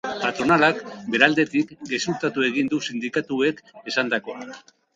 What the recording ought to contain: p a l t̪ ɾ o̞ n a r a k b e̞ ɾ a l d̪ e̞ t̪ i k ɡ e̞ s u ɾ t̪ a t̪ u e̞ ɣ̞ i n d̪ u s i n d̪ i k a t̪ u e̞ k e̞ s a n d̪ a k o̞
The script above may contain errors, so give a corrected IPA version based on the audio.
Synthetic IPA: p a t̪ ɾ o̞ n a l a k b e̞ ɾ a l d̪ e̞ t̪ i k ɡ e̞ s u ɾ t̪ a t̪ u e̞ ɣ̞ i n d̪ u s i n d̪ i k a t̪ u e̞ k e̞ s a n d̪ a k o̞